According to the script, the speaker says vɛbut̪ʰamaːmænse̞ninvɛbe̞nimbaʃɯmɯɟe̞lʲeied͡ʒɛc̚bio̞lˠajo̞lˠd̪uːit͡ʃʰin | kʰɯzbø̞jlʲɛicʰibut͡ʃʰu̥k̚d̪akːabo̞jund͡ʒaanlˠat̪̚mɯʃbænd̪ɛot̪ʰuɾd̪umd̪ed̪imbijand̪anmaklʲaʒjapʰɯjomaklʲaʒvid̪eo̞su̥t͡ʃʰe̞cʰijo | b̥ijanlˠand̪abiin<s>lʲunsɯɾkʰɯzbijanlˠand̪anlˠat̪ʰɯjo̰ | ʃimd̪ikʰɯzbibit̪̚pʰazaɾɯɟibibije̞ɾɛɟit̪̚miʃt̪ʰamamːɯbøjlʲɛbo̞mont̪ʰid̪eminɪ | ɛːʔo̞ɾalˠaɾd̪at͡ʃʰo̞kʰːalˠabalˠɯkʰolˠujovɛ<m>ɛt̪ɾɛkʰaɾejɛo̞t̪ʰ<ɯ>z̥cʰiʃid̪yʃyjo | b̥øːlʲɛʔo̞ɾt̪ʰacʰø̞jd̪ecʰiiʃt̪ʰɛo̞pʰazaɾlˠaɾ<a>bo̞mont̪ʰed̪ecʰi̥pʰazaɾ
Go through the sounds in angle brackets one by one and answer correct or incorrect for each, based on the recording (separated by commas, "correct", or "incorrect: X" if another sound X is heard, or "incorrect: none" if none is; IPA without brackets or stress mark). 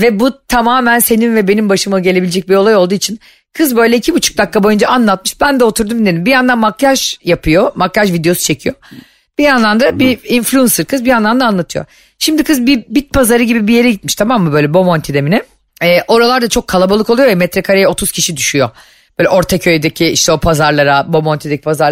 incorrect: f, correct, incorrect: u, correct